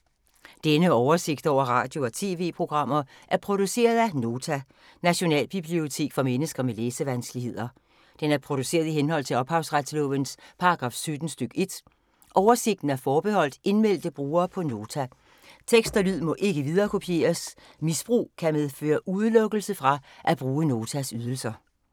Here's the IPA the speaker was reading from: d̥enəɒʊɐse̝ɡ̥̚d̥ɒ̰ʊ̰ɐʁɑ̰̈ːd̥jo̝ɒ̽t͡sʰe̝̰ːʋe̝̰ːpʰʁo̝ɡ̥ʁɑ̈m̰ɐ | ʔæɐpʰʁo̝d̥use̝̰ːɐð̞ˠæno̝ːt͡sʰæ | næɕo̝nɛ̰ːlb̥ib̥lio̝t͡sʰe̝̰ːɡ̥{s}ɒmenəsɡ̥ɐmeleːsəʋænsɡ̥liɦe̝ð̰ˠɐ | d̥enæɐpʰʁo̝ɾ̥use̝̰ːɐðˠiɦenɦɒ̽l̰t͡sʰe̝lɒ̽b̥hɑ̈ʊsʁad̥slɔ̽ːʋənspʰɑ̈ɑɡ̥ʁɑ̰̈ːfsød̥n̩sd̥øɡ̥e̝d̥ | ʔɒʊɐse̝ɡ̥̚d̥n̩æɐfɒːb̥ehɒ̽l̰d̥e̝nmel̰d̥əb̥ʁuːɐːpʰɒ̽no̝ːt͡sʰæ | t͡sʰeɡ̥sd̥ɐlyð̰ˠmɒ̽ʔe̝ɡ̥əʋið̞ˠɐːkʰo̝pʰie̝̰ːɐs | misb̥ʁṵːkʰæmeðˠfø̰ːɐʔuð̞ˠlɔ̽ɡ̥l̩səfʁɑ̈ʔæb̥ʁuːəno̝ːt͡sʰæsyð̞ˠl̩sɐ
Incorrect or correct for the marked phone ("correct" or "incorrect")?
incorrect